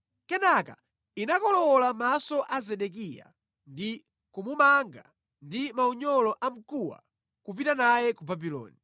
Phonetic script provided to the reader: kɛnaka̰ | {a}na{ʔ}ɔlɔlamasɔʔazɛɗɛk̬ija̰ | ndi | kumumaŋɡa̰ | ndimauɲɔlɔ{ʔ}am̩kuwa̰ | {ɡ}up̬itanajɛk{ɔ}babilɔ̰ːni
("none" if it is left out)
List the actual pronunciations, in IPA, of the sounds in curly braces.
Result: i, k, ʔ, k, u

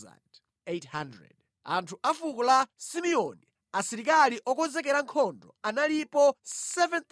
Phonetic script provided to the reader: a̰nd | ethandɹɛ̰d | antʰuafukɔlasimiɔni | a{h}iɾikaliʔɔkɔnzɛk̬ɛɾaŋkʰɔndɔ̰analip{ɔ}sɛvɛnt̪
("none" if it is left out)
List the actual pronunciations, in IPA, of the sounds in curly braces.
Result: s, ɔ

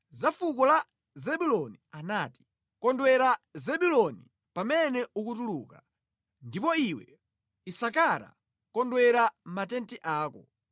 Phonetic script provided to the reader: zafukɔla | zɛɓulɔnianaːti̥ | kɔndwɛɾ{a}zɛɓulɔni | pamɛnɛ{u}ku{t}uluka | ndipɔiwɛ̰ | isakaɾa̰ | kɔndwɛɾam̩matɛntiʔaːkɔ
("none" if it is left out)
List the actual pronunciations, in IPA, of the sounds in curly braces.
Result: a, u, t

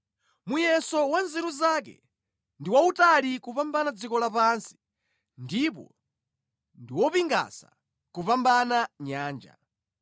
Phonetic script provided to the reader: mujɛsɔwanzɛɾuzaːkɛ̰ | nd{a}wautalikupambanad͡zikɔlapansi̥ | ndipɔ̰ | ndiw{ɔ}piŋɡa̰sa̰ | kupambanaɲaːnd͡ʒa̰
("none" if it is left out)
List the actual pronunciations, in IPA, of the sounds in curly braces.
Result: i, ɔ

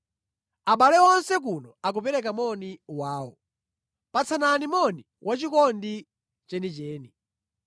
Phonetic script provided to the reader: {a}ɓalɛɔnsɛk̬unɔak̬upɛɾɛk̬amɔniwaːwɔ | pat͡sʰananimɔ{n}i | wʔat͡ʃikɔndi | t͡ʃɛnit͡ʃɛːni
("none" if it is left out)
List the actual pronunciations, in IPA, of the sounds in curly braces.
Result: a, n

